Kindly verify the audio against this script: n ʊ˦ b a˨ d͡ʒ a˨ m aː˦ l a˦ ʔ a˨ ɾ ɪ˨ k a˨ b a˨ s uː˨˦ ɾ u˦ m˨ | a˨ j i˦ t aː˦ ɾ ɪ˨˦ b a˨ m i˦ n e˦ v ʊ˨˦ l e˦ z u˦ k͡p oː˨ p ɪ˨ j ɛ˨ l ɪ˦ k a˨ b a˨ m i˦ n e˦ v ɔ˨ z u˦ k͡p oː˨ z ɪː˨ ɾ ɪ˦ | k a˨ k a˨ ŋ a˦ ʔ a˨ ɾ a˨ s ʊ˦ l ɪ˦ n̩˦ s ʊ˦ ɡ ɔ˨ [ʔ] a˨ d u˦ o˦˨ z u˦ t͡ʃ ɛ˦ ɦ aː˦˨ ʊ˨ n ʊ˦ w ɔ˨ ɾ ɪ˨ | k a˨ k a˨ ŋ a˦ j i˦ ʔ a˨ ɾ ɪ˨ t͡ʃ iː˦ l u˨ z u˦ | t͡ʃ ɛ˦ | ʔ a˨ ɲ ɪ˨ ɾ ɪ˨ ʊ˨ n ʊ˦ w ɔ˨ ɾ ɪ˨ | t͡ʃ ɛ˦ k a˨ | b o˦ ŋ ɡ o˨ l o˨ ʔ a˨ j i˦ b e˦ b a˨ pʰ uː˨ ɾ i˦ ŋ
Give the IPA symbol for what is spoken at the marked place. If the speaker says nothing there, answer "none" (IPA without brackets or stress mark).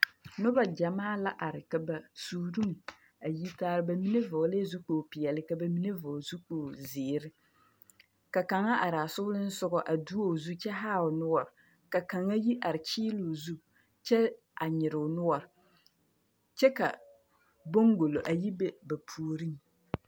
ʔ